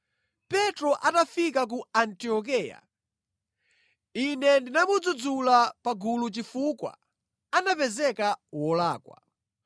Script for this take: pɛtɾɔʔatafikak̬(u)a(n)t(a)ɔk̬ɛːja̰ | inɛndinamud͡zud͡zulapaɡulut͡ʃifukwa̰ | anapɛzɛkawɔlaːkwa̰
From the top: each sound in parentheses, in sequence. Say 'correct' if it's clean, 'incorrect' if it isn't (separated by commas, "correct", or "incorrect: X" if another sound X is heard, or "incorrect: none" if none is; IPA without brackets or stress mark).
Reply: correct, correct, incorrect: i